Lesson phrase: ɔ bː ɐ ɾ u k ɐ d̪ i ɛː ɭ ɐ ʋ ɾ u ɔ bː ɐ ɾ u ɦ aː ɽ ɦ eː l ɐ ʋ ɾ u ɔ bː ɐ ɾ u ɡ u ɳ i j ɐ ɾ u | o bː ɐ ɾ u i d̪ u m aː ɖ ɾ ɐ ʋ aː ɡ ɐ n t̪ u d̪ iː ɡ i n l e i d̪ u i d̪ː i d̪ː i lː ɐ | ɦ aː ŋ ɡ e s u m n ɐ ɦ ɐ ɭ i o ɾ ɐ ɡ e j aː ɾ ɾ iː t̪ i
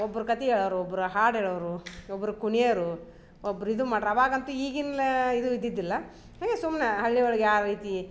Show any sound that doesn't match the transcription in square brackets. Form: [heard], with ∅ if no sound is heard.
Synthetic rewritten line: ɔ bː ɐ ɾ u k ɐ [t̪] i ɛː ɭ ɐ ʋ ɾ u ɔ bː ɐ ɾ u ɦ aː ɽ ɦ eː [ɭ] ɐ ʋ ɾ u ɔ bː ɐ ɾ u [k] u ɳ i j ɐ ɾ u | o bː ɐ ɾ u i d̪ u m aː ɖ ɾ ɐ ʋ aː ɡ ɐ n t̪ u [∅] iː ɡ i n l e i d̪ u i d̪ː i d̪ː i lː ɐ | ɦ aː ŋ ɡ e s u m n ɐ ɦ ɐ [ɭː] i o [ɭ] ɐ ɡ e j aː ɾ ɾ iː t̪ i